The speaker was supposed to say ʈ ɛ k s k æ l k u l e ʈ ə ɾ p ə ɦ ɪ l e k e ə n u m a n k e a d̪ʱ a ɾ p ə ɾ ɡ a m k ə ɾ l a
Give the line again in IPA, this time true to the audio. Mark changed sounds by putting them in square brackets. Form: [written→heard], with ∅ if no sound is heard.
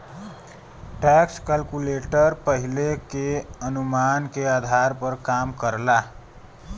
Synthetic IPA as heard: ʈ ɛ k s k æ l k u l e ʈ ə ɾ p ə ɦ [ɪ→i] l e k e ə n u m a n k e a d̪ʱ a ɾ p ə ɾ [ɡ→k] a m k ə ɾ l a